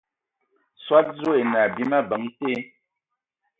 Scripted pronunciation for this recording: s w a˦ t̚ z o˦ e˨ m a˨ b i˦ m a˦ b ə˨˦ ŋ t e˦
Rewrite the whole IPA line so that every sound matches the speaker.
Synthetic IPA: s w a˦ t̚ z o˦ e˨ n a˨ b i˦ m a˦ b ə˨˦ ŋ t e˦